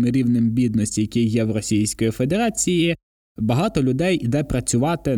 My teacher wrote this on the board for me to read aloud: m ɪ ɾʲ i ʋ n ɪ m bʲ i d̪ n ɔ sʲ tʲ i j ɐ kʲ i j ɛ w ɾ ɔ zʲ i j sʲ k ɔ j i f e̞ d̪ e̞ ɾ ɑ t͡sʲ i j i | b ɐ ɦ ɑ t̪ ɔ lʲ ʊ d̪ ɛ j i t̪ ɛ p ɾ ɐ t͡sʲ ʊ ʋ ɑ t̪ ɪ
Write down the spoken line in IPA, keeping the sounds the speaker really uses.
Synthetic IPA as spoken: m ɪ ɾʲ i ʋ n ɪ m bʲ i d̪ n ɔ sʲ tʲ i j ɐ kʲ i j ɛ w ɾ ɔ sʲ i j sʲ k ɔ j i f e̞ d̪ e̞ ɾ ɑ t͡sʲ i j i | b ɐ ɦ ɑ t̪ ɔ lʲ ʊ d̪ ɛ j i d̪ ɛ p ɾ ɐ t͡sʲ ʊ ʋ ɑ t̪ ɪ